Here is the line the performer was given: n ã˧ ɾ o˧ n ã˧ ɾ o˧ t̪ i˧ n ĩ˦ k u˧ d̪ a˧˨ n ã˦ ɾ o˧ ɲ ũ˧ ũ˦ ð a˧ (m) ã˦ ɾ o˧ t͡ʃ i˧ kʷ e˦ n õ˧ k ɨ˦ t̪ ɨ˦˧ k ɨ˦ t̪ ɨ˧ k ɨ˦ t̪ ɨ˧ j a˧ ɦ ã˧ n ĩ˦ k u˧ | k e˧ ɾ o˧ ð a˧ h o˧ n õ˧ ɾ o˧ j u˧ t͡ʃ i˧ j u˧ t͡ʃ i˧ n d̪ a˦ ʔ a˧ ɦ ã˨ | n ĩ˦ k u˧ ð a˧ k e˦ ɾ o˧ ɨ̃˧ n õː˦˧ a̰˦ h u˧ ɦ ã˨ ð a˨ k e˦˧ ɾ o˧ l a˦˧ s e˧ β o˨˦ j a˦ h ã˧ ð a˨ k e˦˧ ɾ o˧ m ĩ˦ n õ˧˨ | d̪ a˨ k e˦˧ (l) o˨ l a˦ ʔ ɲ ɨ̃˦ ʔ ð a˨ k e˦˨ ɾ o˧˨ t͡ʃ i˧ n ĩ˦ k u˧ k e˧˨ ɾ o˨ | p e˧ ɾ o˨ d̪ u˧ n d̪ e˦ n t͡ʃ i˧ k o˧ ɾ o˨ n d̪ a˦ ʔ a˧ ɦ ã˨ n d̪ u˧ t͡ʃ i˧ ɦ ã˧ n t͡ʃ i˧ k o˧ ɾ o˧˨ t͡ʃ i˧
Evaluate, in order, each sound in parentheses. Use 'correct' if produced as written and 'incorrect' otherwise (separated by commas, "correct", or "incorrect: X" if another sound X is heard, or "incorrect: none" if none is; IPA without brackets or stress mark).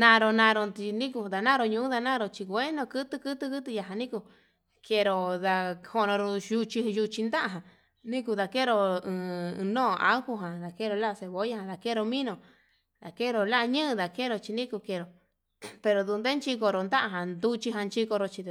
incorrect: n, incorrect: ɾ